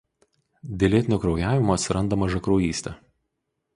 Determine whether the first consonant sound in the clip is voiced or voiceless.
voiced